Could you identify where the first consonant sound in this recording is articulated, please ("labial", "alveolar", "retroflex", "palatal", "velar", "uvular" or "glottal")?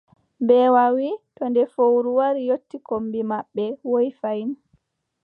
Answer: labial